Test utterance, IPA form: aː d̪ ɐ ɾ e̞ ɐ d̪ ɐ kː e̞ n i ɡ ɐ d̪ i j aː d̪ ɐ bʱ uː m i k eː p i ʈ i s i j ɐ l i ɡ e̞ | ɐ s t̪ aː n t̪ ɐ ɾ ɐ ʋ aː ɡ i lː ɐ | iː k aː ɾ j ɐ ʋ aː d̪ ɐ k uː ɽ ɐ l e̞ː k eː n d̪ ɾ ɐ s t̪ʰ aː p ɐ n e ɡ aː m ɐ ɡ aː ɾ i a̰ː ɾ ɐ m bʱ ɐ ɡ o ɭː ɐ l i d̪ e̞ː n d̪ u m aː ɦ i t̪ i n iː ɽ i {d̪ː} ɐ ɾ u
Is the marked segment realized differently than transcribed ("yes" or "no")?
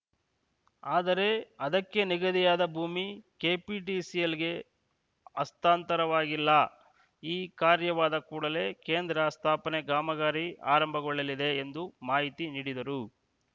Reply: yes